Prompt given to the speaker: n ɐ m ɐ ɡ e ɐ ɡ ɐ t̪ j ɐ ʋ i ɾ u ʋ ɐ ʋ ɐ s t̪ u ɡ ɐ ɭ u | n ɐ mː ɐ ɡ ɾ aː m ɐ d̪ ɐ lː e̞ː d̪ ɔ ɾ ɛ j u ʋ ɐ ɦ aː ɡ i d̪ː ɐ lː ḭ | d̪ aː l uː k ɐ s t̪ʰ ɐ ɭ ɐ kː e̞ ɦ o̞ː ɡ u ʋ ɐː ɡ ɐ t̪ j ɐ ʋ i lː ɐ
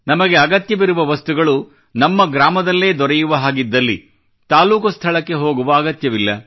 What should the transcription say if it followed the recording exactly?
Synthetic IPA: n ɐ m ɐ ɡ e ɐ ɡ ɐ t̪ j ɐ ʋ i ɾ u ʋ ɐ ʋ ɐ s t̪ u ɡ ɐ ɭ u | n ɐ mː ɐ ɡ ɾ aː m ɐ d̪ ɐ lː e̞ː d̪ ɔ ɾ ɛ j u ʋ ɐ ɦ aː ɡ i d̪ː ɐ lː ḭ | t̪ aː l uː k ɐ s t̪ʰ ɐ ɭ ɐ kː e̞ ɦ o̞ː ɡ u ʋ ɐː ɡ ɐ t̪ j ɐ ʋ i lː ɐ

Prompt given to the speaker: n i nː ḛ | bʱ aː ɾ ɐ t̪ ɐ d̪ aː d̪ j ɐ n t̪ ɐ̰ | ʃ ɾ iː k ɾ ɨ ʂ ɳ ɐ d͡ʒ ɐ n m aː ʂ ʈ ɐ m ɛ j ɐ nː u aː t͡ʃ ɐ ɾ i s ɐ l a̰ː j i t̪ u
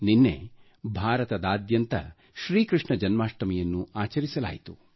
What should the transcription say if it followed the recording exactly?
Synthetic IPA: n i nː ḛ | bʱ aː ɾ ɐ t̪ ɐ d̪ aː d̪ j ɐ n t̪ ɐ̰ | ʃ ɾ iː k ɾ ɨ ʂ ɳ ɐ d͡ʒ ɐ n m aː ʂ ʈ ɐ m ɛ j ɐ nː u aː t͡ʃ ɐ ɾ i s ɐ l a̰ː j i t̪ u

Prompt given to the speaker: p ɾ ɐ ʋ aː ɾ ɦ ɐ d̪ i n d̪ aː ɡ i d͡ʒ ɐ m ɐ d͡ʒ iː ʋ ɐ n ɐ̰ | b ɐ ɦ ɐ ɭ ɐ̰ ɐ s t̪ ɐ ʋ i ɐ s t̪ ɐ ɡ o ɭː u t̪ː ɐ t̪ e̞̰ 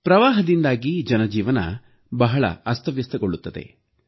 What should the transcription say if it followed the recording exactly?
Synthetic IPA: p ɾ ɐ ʋ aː ɦ ɐ d̪ i n d̪ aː ɡ i d͡ʒ ɐ n ɐ d͡ʒ iː ʋ ɐ n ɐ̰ | b ɐ ɦ ɐ ɭ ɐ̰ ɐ s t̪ ɐ ʋ j ɐ s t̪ ɐ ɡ o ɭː u t̪ː ɐ d̪ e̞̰

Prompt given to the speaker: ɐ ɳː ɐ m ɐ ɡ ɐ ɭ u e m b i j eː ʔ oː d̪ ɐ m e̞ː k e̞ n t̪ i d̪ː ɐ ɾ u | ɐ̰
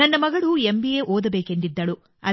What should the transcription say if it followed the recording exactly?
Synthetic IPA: ɐ nː ɐ m ɐ ɡ ɐ ɭ u e m b i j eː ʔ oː d̪ ɐ b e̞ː k e̞ n d̪ i d̪ː ɐ ɭ u | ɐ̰

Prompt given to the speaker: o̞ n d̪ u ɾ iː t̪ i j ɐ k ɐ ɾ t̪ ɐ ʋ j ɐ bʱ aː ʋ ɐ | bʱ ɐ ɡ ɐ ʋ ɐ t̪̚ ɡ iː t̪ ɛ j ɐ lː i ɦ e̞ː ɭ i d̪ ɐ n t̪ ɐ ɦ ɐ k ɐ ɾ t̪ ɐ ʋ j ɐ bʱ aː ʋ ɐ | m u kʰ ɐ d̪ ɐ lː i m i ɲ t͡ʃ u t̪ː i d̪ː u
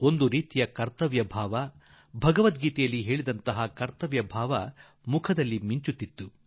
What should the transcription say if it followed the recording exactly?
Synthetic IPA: o̞ n d̪ u ɾ iː t̪ i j ɐ k ɐ ɾ t̪ ɐ ʋ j ɐ bʱ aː ʋ ɐ | bʱ ɐ ɡ ɐ ʋ ɐ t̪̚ ɡ iː t̪ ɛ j ɐ lː i ɦ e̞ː ɭ i d̪ ɐ n t̪ ɐ ɦ ɐ k ɐ ɾ t̪ ɐ ʋ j ɐ bʱ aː ʋ ɐ | m u kʰ ɐ d̪ ɐ lː i m i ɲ t͡ʃ u t̪ː i t̪ː u

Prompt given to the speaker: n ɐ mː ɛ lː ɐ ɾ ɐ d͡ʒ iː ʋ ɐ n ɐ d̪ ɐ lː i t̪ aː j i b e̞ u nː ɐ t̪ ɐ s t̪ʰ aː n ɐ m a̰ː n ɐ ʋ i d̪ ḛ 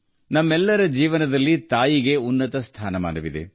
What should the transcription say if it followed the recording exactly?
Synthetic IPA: n ɐ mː ɛ lː ɐ ɾ ɐ d͡ʒ iː ʋ ɐ n ɐ d̪ ɐ lː i t̪ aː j i ɡ e̞ u nː ɐ t̪ ɐ s t̪ʰ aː n ɐ m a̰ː n ɐ ʋ i d̪ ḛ

